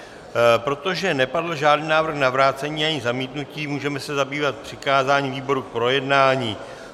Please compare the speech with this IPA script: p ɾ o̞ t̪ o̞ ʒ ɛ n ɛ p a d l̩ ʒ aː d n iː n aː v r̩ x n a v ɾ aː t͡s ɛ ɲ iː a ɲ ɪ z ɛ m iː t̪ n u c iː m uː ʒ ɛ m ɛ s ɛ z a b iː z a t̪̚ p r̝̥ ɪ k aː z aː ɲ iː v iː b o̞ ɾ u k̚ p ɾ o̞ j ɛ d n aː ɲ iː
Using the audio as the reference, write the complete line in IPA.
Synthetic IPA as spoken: p ɾ o̞ t̪ o̞ ʒ ɛ n ɛ p a d l̩ ʒ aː d n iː n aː v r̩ x n a v ɾ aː t͡s ɛ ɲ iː a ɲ ɪ z a m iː t̪ n u c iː m uː ʒ ɛ m ɛ s ɛ z a b iː v a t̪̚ p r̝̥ ɪ k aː z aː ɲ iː v iː b o̞ ɾ u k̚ p ɾ o̞ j ɛ d n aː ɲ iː